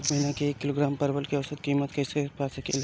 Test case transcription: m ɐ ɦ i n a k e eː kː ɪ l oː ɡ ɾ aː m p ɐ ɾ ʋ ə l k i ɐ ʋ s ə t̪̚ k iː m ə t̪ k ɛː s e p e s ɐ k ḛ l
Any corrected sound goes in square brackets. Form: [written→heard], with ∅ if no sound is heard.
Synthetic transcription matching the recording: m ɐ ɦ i n a k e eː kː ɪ l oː ɡ ɾ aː m p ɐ ɾ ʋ ə l k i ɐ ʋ s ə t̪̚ k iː m ə t̪ k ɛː s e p [e→a] s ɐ k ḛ l